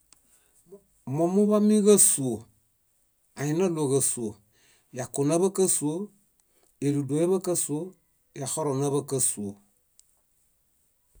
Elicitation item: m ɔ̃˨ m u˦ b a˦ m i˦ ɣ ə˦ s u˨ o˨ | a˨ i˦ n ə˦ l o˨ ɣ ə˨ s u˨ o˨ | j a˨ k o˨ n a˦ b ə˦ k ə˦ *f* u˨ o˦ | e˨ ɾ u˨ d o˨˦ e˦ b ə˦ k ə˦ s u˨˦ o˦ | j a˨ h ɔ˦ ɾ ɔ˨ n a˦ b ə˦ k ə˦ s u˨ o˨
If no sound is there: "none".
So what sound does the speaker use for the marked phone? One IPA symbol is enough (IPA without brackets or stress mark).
s